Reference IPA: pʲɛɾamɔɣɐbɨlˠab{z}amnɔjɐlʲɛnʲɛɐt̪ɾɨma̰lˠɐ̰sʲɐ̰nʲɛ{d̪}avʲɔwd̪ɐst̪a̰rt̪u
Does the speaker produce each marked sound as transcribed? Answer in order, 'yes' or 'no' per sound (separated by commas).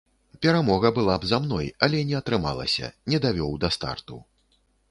yes, yes